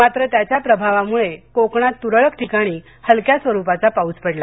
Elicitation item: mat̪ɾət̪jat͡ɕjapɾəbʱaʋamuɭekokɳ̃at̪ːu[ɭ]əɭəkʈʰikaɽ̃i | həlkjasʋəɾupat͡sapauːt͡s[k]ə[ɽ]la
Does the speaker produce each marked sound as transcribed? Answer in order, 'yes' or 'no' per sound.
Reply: no, no, yes

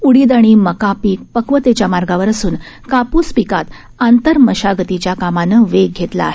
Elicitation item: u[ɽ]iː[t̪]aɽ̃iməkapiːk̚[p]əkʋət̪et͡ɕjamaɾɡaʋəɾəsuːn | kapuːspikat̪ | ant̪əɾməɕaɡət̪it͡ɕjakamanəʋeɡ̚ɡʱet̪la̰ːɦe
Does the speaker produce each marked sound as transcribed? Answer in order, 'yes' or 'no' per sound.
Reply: yes, no, yes

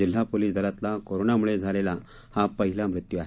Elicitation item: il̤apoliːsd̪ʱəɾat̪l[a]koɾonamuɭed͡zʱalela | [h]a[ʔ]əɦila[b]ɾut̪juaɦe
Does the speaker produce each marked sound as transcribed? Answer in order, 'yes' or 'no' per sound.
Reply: yes, yes, no, no

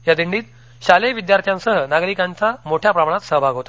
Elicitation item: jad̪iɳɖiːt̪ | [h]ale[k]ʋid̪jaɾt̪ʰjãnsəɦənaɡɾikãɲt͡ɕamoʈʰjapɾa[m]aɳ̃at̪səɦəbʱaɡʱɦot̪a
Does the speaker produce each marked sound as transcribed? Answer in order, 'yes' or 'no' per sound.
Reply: no, no, yes

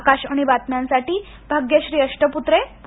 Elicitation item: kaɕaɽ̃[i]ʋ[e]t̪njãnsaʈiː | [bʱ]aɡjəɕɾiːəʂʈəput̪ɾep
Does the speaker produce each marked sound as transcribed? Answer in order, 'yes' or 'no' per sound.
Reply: yes, no, yes

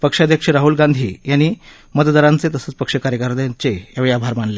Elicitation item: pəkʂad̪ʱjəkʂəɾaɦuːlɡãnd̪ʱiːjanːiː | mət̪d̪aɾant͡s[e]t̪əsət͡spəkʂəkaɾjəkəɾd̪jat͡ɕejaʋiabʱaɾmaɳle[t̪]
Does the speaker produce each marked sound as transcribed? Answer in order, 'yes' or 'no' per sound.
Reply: yes, no

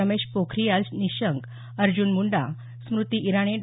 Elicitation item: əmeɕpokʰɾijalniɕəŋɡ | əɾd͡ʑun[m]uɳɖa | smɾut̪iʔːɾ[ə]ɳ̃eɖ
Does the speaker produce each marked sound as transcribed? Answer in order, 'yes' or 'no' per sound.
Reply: yes, no

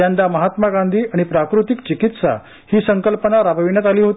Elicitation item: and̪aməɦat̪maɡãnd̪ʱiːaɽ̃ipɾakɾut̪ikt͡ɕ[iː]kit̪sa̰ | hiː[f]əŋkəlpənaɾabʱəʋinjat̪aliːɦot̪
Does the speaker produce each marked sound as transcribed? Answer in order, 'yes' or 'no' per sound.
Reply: no, no

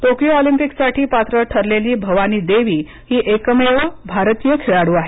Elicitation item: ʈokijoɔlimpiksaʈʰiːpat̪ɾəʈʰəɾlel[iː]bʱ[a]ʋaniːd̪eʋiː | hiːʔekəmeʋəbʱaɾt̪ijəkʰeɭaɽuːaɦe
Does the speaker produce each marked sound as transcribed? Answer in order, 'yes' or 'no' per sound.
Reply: yes, no

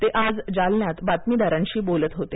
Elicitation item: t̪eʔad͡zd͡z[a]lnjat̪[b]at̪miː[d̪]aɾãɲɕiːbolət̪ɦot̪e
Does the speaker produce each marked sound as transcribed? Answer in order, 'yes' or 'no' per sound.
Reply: yes, yes, yes

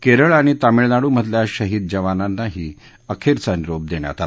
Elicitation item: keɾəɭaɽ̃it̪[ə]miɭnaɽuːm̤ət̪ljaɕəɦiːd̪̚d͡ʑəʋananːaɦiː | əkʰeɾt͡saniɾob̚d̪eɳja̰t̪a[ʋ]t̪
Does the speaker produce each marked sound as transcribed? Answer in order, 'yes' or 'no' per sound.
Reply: no, no

